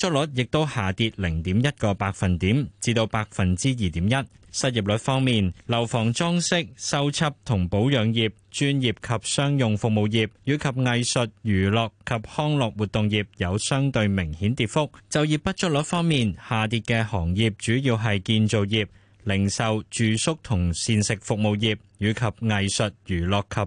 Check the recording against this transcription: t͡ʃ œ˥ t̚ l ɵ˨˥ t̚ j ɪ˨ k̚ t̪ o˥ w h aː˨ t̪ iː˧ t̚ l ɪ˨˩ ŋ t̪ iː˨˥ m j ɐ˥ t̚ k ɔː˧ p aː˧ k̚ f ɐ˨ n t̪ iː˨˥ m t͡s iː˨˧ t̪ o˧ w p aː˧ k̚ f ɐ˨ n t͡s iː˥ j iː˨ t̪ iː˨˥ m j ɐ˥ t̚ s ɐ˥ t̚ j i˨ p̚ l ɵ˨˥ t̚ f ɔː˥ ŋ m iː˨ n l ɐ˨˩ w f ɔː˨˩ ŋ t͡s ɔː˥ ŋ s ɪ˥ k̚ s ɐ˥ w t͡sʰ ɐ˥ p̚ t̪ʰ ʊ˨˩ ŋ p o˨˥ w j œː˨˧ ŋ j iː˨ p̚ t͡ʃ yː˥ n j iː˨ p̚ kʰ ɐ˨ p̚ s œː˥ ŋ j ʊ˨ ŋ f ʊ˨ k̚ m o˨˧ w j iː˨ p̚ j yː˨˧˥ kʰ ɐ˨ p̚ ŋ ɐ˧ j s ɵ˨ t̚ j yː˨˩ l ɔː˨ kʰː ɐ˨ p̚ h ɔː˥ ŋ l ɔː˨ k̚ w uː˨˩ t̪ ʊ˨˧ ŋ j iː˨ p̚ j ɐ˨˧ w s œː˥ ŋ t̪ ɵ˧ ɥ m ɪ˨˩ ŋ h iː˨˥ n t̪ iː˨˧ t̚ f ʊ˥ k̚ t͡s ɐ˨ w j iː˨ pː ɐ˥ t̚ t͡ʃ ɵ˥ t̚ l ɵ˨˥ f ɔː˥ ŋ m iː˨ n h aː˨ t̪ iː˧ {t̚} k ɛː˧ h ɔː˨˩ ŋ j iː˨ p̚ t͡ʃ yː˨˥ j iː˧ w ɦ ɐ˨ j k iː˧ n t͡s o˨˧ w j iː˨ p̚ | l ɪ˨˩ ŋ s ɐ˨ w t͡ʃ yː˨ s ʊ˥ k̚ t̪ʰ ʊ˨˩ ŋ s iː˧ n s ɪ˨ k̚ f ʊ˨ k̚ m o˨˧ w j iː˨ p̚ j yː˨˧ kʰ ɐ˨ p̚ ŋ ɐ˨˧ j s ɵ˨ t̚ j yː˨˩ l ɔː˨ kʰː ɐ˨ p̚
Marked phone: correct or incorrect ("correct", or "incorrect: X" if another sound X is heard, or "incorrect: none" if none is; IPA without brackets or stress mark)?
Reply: correct